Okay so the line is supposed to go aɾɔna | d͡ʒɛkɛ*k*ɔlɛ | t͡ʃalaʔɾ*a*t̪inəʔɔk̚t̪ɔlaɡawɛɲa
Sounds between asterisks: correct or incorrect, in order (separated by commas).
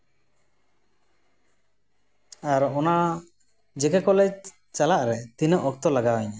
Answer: correct, incorrect